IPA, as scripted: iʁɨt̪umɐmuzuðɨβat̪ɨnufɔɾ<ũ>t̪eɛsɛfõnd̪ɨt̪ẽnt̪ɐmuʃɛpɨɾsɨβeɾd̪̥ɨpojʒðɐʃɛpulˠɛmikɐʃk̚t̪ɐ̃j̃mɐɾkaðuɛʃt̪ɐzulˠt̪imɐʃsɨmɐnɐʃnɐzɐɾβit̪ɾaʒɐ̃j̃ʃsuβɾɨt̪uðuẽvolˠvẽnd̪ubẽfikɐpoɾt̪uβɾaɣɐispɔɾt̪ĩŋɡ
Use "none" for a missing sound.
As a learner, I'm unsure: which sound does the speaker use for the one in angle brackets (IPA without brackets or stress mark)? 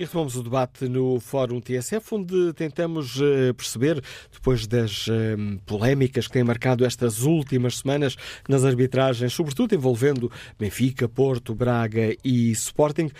ũ